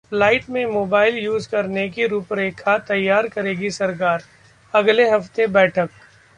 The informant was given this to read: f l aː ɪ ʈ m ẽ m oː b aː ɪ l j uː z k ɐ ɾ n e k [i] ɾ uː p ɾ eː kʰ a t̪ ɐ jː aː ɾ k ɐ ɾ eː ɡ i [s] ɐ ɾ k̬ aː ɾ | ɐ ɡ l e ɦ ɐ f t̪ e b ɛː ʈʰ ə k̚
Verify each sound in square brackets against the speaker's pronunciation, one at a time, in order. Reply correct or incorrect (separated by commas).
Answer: correct, correct